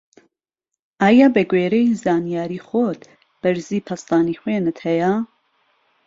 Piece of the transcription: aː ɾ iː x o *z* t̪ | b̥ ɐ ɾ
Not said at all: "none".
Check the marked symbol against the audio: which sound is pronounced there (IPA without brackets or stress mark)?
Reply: none